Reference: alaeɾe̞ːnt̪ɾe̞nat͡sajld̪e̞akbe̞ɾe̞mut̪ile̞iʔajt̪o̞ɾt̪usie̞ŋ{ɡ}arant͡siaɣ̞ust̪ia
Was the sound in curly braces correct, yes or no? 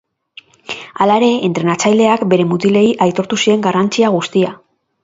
yes